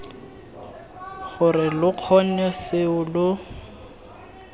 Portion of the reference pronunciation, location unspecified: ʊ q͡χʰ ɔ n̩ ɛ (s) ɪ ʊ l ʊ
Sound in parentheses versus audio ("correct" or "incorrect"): correct